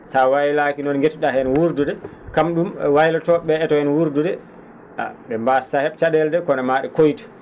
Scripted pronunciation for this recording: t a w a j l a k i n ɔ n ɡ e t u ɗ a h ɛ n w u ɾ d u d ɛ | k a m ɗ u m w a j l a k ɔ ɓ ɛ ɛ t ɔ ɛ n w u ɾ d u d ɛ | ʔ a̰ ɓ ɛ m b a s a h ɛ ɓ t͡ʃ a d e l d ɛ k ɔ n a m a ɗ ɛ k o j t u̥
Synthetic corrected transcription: s a w a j l a k i n ɔ n ɡ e t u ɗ a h ɛ n w u ɾ d u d ɛ | k a m ɗ u m w a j l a t ɔ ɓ ɛ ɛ t ɔ ɛ n w u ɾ d u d ɛ | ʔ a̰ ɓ ɛ m b a s a h ɛ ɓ t͡ʃ a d ɛ l d ɛ k ɔ n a m a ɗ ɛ k o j t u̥